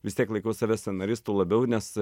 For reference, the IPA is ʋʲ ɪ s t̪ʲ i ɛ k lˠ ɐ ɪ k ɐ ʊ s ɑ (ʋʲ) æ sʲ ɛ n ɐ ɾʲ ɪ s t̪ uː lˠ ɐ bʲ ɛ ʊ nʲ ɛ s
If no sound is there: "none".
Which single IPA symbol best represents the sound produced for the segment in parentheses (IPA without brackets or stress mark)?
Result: ʋʲ